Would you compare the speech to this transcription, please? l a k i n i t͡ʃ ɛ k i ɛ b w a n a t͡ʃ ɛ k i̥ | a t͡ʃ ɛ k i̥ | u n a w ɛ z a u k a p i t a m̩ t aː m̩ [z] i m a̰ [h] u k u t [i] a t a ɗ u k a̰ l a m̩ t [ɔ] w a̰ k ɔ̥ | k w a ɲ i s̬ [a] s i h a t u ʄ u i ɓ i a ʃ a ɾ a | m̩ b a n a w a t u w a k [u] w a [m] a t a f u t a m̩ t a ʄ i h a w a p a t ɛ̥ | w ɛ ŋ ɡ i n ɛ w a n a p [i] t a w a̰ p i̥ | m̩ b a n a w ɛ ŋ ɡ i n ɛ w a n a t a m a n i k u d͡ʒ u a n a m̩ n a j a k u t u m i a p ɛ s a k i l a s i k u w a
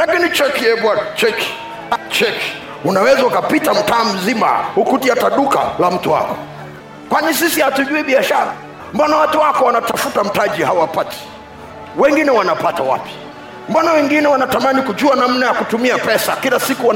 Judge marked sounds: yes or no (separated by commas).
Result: yes, yes, yes, no, no, no, no, no